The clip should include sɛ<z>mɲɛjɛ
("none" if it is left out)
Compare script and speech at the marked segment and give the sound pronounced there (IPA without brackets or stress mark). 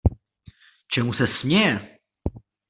s